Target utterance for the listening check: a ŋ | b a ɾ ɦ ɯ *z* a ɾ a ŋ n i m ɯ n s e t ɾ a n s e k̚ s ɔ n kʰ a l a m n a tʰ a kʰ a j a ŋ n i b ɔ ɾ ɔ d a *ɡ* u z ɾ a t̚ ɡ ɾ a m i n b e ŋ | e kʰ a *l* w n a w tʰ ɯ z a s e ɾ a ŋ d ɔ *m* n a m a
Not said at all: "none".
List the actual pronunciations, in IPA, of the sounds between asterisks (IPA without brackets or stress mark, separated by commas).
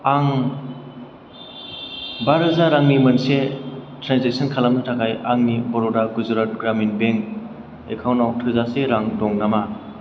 z, ɡ, none, ŋ